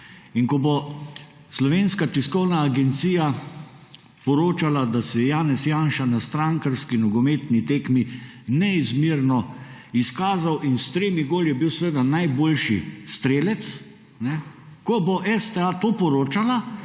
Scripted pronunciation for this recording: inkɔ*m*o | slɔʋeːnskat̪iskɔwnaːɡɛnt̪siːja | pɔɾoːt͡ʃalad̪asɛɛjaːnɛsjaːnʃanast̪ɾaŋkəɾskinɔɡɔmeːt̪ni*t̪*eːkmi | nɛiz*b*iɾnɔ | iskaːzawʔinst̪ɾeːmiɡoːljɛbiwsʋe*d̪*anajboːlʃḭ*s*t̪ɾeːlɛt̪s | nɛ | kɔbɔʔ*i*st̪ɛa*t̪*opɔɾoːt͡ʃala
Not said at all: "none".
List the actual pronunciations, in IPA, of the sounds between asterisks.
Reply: b, t̪, m, d̪, s, ɛ, t̪

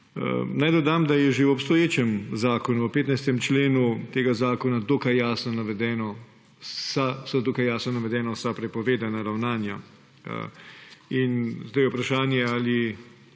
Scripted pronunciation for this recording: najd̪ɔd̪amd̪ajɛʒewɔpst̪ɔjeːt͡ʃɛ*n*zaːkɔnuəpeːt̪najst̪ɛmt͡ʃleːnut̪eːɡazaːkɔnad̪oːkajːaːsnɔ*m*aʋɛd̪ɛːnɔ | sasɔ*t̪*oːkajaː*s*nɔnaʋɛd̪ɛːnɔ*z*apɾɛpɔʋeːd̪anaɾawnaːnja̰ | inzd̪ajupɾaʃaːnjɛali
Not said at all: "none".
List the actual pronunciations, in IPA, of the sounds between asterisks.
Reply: m, n, d̪, s, s

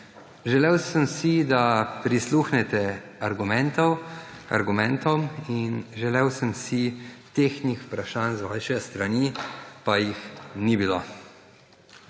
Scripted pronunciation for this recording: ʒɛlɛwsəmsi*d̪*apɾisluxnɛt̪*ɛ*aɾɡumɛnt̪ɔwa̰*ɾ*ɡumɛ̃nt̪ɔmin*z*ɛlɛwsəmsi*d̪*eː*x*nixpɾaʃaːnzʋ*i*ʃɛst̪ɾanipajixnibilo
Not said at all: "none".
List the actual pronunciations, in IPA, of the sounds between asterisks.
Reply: d̪, ɛ, ɾ, ʒ, t̪, x, a

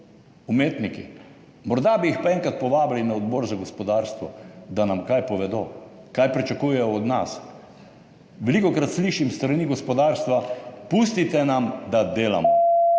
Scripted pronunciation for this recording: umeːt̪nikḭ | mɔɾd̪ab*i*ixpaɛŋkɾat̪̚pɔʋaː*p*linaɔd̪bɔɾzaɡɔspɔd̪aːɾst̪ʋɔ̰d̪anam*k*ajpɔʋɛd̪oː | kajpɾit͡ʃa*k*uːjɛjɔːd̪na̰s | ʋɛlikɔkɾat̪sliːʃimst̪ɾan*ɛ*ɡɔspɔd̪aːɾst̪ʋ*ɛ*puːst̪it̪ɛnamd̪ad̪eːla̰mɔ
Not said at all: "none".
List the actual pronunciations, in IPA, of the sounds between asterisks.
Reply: i, b, k, k, i, a

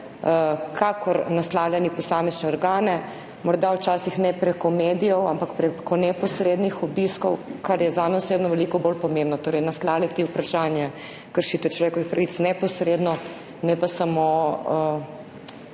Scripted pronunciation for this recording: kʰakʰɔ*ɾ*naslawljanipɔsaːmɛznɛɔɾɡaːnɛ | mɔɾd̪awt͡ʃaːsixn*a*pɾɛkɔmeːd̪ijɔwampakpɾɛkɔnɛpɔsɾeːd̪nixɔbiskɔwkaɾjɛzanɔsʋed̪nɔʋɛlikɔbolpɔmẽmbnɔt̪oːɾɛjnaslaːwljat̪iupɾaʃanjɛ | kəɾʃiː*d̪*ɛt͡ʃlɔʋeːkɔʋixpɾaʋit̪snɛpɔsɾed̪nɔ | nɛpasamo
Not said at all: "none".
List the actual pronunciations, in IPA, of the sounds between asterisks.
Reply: ɾ, ɛ, t̪

